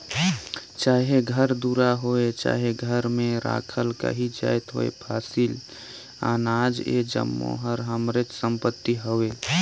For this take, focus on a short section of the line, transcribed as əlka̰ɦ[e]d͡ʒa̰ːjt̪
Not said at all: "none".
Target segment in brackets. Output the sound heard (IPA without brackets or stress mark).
i